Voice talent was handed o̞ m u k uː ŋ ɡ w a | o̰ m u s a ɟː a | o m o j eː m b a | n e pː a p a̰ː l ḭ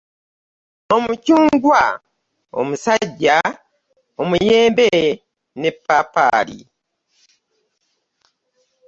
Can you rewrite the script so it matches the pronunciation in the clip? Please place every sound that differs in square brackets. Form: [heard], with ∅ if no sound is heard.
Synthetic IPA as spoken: o̞ m u [c] uː ŋ ɡ w a | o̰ m u s a ɟː a | o m [u] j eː m b [e] | n e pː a p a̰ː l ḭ